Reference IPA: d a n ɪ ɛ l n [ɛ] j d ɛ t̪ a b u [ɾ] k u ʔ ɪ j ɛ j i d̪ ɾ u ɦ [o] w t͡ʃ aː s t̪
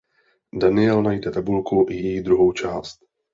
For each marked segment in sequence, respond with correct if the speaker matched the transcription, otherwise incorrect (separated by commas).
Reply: incorrect, incorrect, correct